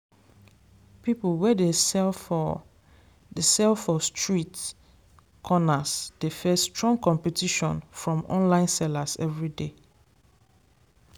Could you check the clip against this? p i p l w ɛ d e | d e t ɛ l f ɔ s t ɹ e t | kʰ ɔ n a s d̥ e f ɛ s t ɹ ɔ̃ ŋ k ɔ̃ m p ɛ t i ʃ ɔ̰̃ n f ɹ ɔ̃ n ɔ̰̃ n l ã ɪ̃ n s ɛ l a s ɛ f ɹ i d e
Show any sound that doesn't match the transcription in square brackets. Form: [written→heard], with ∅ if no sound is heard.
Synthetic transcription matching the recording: p i p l w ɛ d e | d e [t→s] ɛ l f ɔ s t ɹ [e→i] t | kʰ ɔ n a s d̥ e f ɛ s t ɹ ɔ̃ ŋ k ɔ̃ m p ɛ t i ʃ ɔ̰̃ n f ɹ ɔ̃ [n→m] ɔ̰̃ n l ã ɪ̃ n s ɛ l a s ɛ [f→v] ɹ i d e